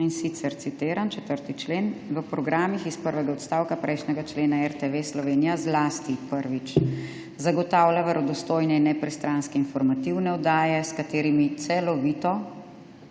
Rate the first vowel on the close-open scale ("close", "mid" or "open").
close